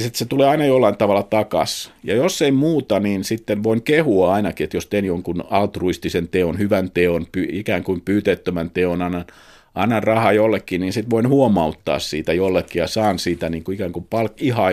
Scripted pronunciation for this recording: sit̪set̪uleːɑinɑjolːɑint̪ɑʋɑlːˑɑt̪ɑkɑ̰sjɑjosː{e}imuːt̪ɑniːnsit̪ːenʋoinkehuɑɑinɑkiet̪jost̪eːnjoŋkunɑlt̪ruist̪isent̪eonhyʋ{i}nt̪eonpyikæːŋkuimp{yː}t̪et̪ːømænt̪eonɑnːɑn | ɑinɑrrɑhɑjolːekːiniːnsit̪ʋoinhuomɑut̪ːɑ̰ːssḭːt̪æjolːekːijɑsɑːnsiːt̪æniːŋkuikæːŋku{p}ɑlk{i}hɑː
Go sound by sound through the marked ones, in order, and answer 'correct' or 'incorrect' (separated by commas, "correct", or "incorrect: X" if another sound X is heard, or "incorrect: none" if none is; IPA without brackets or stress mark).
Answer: correct, incorrect: æ, correct, correct, correct